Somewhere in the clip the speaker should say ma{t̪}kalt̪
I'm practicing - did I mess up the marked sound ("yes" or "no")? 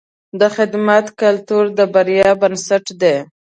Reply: no